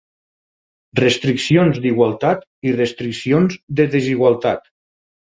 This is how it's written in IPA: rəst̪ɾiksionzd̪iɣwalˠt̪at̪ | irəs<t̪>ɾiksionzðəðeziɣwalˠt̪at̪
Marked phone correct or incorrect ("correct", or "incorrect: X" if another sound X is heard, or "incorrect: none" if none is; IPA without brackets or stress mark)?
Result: correct